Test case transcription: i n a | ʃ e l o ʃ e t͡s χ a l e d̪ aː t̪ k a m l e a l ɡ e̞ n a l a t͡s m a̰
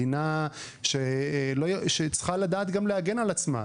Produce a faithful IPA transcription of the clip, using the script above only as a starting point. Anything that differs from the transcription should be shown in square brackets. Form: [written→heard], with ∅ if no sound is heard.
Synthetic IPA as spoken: i n a | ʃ e l o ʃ e t͡s χ a l [e→a] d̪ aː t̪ [k→ɡ] a m l e a [l→∅] ɡ e̞ n a l a t͡s m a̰

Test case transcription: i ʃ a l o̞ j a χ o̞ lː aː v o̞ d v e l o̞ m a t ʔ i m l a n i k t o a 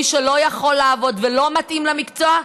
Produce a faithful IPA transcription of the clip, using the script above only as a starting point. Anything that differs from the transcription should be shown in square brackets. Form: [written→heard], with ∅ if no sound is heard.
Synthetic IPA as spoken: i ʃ [a→e] l o̞ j a χ o̞ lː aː v o̞ d v e l o̞ m a t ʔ i m l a [n→m] i k [t→t͡s] o a

